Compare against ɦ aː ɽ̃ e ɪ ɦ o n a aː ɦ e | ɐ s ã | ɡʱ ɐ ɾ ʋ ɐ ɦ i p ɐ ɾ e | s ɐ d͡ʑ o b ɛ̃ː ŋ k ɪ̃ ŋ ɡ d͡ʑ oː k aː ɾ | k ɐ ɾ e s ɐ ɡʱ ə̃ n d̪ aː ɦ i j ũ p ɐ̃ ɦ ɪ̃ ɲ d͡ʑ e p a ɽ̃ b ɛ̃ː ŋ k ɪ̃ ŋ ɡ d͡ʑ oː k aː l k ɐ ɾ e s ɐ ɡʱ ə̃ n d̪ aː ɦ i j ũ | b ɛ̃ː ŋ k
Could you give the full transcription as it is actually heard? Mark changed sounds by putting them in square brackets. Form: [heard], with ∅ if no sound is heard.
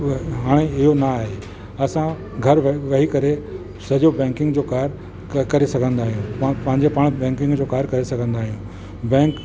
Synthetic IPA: ɦ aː ɽ̃ e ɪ ɦ o n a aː ɦ e | ɐ s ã | ɡʱ ɐ ɾ ʋ ɐ ɦ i [k] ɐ ɾ e | s ɐ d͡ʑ o b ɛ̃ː ŋ k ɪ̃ ŋ ɡ d͡ʑ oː k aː ɾ | k ɐ ɾ e s ɐ ɡʱ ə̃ n d̪ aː ɦ i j ũ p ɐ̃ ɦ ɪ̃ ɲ d͡ʑ e p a ɽ̃ b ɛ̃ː ŋ k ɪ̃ ŋ ɡ d͡ʑ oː k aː [ɾ] k ɐ ɾ e s ɐ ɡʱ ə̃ n d̪ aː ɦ i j ũ | b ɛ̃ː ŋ k

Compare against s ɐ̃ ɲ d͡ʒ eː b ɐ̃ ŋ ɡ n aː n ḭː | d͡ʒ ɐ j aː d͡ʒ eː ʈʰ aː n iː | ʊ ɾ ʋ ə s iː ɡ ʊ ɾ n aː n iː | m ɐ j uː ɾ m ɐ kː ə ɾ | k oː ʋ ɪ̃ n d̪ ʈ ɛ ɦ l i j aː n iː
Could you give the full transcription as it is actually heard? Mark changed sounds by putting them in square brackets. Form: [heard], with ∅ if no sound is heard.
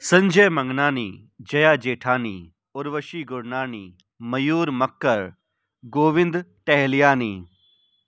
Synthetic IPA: s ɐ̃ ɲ d͡ʒ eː [m] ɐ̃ ŋ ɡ n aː n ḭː | d͡ʒ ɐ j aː d͡ʒ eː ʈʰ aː n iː | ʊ ɾ ʋ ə [ʃ] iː ɡ ʊ ɾ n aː n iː | m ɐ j uː ɾ m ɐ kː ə ɾ | [ɡ] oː ʋ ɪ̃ n d̪ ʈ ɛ ɦ l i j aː n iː

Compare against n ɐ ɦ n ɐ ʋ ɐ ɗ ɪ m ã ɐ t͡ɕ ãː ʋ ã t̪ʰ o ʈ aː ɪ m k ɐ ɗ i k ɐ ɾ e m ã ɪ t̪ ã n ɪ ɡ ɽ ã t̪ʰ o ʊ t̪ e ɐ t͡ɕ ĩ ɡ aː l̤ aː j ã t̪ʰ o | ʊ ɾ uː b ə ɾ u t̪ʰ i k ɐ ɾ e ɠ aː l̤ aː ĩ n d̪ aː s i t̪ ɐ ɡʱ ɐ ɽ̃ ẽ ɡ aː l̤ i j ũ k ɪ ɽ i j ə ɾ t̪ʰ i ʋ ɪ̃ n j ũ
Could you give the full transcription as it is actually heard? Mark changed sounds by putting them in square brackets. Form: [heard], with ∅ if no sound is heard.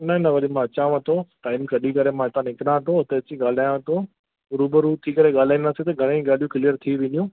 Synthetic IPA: n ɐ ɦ n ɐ ʋ ɐ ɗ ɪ m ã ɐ t͡ɕ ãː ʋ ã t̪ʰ o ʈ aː ɪ m k ɐ ɗ i k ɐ ɾ e m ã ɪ t̪ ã n ɪ [k] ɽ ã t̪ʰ o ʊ t̪ e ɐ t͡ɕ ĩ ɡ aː l̤ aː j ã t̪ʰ o | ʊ ɾ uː b ə ɾ u t̪ʰ i k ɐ ɾ e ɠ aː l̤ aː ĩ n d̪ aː s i t̪ ɐ ɡʱ ɐ ɽ̃ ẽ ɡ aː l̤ i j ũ k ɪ [l] i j ə ɾ t̪ʰ i ʋ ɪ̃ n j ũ

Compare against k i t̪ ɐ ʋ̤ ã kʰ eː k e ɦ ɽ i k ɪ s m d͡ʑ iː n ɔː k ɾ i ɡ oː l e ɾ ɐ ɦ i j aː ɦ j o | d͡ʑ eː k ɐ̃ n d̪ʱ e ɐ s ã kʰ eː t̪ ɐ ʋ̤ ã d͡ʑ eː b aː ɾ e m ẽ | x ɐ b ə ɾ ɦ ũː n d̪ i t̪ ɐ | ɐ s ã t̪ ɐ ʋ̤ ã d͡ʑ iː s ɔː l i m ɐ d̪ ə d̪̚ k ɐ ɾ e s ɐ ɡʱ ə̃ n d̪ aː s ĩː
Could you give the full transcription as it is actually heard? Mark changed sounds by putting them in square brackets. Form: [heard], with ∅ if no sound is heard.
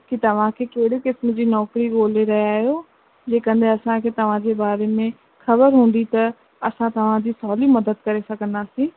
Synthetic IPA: k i t̪ ɐ ʋ̤ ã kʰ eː k e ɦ ɽ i k ɪ s m d͡ʑ iː n ɔː k ɾ i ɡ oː l e ɾ ɐ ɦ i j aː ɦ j o | d͡ʑ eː k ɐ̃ n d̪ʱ e ɐ s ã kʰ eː t̪ ɐ ʋ̤ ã d͡ʑ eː b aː ɾ e m ẽ | x ɐ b ə ɾ ɦ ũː n d̪ i t̪ ɐ | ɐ s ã t̪ ɐ ʋ̤ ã d͡ʑ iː s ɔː l i m ɐ d̪ ə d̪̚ k ɐ ɾ e s ɐ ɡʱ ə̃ n d̪ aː s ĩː

